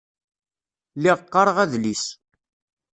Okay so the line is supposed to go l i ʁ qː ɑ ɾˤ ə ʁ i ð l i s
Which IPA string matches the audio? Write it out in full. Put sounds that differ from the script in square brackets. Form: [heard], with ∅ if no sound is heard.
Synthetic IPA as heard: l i ʁ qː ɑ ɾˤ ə ʁ [æ] ð l i s